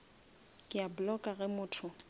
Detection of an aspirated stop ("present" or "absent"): present